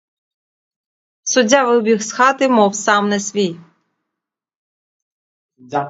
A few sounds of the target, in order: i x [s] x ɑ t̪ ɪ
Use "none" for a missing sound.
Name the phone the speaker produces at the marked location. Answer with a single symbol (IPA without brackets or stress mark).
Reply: s